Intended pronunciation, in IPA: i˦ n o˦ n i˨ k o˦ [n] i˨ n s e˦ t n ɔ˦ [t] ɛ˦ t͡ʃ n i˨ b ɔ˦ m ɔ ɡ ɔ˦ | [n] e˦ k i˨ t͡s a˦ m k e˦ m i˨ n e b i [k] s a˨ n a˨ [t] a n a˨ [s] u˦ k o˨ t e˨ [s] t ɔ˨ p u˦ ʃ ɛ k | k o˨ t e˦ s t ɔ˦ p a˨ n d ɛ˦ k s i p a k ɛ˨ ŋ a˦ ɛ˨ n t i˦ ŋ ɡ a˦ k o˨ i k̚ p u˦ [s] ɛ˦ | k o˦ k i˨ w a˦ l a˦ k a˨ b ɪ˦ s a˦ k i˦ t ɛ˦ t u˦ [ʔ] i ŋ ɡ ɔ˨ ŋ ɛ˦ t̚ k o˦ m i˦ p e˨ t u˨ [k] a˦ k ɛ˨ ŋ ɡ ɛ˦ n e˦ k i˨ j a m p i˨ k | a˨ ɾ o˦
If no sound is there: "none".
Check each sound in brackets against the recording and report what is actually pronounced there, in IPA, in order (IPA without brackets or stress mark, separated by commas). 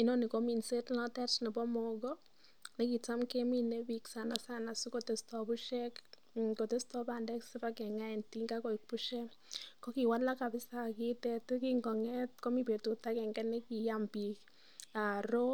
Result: m, t, n, k, s, s, s, ʃ, k, t